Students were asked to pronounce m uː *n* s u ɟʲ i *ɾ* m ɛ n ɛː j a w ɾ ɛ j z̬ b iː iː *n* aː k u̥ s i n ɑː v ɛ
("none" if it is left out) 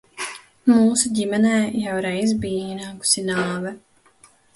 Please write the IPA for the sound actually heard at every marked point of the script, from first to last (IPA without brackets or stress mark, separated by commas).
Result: none, none, n